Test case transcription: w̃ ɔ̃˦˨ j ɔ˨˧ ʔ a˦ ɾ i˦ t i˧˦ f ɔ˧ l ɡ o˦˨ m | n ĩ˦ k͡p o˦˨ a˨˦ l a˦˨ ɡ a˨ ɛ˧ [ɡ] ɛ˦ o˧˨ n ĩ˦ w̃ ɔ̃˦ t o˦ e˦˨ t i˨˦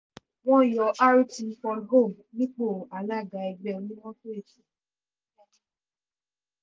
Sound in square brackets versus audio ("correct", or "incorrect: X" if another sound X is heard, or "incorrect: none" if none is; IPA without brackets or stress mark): incorrect: ɡ͡b